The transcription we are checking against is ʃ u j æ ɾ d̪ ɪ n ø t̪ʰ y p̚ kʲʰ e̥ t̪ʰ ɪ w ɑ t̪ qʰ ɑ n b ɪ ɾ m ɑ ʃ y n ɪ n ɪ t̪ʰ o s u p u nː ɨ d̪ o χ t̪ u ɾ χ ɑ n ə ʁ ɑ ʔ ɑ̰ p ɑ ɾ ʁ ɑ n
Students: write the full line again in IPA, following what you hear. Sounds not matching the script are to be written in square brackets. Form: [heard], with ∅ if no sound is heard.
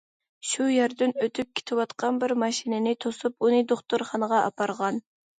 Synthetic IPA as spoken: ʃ u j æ ɾ d̪ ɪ n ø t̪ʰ y p̚ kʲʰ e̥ t̪ʰ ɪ w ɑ t̪ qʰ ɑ n b ɪ ɾ m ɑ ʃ [i] n ɪ n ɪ t̪ʰ o s u p u [n] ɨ d̪ o χ t̪ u ɾ χ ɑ n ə ʁ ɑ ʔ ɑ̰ p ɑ ɾ ʁ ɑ n